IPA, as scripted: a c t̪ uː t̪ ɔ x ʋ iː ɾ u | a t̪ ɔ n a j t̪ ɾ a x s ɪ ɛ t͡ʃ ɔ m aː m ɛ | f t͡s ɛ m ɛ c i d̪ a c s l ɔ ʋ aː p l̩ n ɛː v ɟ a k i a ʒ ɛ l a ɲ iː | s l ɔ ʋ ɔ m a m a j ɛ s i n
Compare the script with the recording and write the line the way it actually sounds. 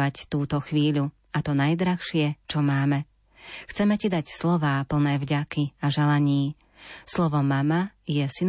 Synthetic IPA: a c t̪ uː t̪ ɔ x ʋ iː ʎ u | a t̪ ɔ n a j d̪ ɾ a x ʃ ɪ ɛ t͡ʃ ɔ m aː m ɛ | x t͡s ɛ m ɛ c i d̪ a c s l ɔ ʋ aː p l̩ n ɛː v ɟ a k i a ʒ ɛ l a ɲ iː | s l ɔ ʋ ɔ m a m a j ɛ s i n